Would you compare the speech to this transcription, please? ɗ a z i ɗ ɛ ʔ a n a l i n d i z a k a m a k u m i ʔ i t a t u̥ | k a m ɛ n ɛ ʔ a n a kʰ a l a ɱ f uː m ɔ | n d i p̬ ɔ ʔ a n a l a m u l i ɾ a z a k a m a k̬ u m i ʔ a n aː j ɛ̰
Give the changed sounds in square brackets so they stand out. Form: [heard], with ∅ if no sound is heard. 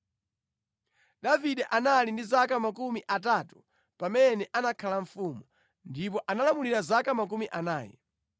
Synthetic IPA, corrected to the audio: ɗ a [v] i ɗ ɛ ʔ a n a l i n d i z a k a m a k u m i ʔ [a] t a t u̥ | [p] a m ɛ n ɛ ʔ a n a kʰ a l a ɱ f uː m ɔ | n d i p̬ ɔ ʔ a n a l a m u l i ɾ a z a k a m a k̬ u m i ʔ a n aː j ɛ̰